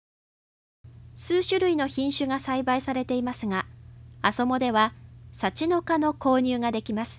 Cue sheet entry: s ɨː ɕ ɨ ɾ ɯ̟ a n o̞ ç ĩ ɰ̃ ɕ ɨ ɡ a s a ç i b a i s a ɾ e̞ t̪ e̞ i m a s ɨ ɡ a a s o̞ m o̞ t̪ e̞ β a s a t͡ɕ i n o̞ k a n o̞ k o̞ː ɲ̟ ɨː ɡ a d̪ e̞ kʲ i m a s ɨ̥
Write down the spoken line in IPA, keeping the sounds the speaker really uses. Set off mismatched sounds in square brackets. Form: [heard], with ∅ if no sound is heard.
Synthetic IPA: s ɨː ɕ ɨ ɾ ɯ̟ [i] n o̞ ç ĩ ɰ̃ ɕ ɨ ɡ a s a [∅] i b a i s a ɾ e̞ t̪ e̞ i m a s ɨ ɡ a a s o̞ m o̞ [d̪] e̞ β a s a t͡ɕ i n o̞ k a n o̞ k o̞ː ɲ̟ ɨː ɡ a d̪ e̞ kʲ i m a s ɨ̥